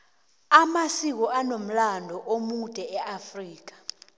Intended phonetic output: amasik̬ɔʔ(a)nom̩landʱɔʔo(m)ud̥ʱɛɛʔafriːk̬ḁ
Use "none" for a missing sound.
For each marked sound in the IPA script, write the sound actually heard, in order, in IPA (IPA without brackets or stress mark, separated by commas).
a, m